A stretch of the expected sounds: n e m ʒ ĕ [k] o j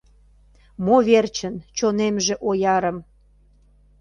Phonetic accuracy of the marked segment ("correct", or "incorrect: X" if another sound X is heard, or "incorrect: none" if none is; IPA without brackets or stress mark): incorrect: ʔ